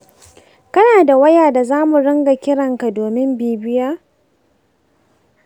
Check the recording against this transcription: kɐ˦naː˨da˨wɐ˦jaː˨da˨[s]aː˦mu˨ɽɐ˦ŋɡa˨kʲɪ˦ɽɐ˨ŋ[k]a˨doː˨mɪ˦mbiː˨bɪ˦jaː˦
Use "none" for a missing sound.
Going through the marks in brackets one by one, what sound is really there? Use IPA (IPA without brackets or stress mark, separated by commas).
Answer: z, k